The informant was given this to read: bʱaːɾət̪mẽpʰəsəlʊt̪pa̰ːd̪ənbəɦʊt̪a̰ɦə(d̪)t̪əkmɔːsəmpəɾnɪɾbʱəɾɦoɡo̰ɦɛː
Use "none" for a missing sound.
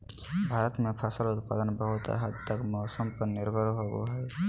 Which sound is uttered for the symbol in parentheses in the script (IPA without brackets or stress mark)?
d̪